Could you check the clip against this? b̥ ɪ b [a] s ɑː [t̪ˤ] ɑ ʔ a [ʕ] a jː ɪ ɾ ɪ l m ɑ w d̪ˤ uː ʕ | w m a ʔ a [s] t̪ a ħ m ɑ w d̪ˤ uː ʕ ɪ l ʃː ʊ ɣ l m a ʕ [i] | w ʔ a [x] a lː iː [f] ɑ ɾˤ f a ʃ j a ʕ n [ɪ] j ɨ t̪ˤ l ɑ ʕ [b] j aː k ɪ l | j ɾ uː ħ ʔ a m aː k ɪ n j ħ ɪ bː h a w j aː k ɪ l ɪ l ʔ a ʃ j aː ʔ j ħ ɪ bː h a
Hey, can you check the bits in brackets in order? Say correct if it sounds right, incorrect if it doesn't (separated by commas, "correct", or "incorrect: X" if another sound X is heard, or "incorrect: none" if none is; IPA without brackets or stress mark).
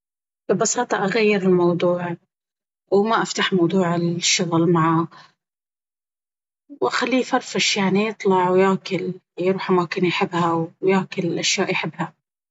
incorrect: ɑ, correct, incorrect: ɣ, incorrect: f, incorrect: a, correct, correct, incorrect: i, incorrect: w